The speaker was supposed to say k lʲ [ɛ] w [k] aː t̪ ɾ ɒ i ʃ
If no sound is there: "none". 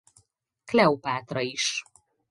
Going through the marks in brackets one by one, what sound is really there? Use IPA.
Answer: ɛ, p

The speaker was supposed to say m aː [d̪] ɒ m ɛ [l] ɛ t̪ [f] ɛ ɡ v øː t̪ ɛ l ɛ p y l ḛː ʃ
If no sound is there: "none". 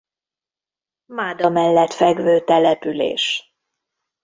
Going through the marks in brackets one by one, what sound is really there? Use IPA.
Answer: d̪, lː, f

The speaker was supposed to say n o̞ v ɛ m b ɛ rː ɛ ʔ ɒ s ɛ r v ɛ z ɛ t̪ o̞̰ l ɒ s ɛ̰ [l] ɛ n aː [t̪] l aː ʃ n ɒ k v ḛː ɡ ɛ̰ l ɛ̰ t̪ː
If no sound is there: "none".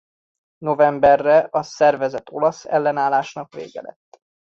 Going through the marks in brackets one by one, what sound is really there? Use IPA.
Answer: lː, none

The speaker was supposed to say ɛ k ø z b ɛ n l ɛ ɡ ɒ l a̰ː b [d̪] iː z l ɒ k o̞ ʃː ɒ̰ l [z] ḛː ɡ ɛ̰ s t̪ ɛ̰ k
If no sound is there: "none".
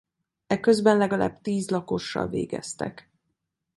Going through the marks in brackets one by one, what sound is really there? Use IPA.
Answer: t̪, v

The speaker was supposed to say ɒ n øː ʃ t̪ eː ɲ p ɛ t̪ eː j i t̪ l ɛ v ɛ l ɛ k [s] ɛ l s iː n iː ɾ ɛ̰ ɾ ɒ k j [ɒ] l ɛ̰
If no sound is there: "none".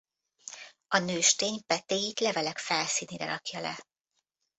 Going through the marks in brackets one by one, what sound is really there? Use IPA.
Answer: f, ɒ

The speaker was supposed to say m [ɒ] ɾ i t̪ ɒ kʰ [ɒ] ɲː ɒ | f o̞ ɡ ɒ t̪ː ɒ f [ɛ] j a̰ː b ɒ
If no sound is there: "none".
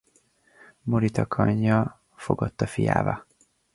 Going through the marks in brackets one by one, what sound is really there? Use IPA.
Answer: o, ɒ, i

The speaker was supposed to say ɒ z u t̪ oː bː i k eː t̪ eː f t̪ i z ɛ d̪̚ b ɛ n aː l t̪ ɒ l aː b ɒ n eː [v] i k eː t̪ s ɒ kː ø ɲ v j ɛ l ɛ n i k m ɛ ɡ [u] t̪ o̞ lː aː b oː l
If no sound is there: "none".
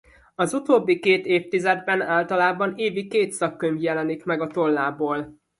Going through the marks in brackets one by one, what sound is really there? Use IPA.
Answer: v, ɒ

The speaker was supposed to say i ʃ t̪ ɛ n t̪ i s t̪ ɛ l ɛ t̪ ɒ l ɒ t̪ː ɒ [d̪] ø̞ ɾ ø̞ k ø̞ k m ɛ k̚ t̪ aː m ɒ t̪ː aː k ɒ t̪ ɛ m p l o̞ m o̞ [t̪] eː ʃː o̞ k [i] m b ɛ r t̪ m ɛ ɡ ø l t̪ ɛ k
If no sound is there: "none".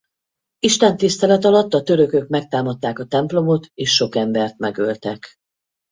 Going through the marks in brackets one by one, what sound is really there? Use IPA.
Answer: t̪, t̪, ɛ

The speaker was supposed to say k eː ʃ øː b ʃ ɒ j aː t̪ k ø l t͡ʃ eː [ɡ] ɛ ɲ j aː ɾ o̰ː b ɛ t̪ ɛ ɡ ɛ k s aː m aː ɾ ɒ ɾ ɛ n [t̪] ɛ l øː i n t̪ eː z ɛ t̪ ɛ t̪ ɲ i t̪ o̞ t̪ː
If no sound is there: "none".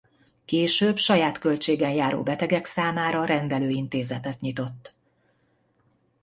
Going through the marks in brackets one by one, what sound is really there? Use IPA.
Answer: ɡ, d̪

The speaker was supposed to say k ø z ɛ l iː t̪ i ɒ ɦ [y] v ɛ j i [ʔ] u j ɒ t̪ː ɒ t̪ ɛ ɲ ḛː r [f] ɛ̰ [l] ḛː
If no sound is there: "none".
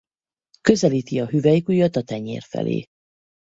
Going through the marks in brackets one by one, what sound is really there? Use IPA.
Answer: y, k, f, l

